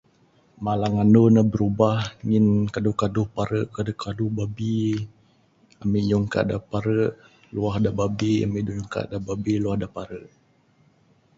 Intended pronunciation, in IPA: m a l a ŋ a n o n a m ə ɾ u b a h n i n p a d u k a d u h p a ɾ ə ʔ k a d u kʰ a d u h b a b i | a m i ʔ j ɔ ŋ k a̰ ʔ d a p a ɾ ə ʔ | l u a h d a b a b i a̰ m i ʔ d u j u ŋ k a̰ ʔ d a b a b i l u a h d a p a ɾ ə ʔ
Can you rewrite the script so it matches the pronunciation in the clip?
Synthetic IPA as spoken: m a l a ŋ a n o n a b ə ɾ u b a h ŋ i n k a d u k a d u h p a ɾ ə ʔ k a d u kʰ a d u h b a b i | a m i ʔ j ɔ ŋ k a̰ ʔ d a p a ɾ ə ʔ | l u a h d a b a b i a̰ m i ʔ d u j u ŋ k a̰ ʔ d a b a b i l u a h d a p a ɾ ə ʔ